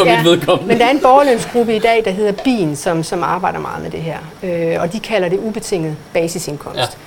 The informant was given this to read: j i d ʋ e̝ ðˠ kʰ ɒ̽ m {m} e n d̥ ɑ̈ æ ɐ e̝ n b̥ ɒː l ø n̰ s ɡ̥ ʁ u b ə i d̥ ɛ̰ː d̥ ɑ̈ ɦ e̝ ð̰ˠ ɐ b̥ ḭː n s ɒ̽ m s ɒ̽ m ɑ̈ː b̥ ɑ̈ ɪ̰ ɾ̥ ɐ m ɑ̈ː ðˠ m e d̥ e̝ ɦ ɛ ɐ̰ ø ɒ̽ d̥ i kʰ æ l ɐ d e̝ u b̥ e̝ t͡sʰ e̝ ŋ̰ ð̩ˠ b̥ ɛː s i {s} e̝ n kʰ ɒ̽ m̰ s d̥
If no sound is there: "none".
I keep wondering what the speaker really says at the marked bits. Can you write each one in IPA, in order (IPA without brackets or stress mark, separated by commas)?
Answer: m, s